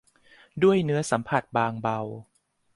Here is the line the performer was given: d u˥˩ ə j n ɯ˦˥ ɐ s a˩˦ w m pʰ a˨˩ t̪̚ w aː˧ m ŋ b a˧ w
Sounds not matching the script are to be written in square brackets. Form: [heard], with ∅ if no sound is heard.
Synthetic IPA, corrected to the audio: d u˥˩ ə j n ɯ˦˥ ɐ s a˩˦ [∅] m pʰ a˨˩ t̪̚ [b] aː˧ [∅] ŋ b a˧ w